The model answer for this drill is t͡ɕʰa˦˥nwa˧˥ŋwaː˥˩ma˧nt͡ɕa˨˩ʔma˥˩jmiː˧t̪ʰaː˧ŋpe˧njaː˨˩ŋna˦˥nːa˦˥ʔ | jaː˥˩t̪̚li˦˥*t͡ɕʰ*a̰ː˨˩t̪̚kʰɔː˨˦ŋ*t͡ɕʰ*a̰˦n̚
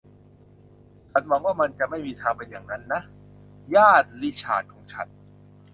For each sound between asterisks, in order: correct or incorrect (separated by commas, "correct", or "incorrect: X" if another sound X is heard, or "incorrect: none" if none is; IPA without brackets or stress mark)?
correct, correct